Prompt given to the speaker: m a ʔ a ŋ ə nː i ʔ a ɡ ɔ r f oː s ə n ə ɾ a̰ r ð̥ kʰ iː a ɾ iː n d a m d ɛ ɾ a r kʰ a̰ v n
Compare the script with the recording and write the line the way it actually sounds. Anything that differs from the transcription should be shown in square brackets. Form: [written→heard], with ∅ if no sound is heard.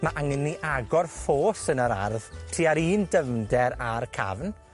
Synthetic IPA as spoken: m a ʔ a ŋ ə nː i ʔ a ɡ ɔ r f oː s ə n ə ɾ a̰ r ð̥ [kʰ→tʰ] iː a ɾ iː n d [a→ə] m d ɛ ɾ a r kʰ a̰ v n